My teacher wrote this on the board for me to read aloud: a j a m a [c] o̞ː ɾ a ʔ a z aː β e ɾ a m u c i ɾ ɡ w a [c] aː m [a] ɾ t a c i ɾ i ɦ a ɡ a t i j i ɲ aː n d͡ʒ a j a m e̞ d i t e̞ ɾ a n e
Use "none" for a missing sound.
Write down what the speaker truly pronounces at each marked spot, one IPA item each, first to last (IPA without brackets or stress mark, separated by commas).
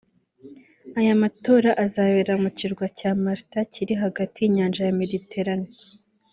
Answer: t, c, a